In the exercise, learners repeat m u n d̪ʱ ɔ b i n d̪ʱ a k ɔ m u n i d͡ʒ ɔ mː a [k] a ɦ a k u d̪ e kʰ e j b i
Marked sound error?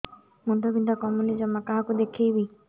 no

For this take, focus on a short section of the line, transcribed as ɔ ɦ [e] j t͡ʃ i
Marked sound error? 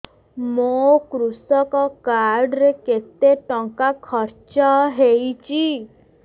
no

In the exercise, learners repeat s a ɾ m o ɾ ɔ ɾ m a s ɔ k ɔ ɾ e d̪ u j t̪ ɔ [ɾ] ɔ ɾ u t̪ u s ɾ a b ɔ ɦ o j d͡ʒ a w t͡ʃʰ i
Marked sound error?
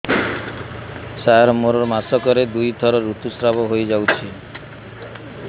no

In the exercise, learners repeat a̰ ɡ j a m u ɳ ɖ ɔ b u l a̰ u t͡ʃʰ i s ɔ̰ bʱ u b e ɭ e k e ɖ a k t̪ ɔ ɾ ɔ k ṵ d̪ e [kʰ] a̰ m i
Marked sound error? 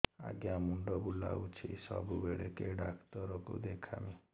no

